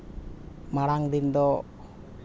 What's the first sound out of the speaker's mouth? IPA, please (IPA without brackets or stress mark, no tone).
m